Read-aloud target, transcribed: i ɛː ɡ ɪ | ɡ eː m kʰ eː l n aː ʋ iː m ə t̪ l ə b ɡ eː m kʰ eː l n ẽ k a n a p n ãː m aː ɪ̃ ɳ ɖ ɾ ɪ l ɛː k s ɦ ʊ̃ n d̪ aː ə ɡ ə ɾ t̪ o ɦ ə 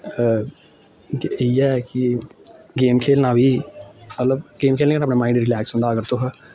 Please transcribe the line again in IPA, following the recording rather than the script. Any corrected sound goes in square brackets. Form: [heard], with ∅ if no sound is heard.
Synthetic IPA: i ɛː [k] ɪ | ɡ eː m kʰ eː l n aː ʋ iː m ə t̪ l ə b ɡ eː m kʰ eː l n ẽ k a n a p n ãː m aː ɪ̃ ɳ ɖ ɾ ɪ l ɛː k s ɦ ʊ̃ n d̪ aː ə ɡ ə ɾ t̪ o ɦ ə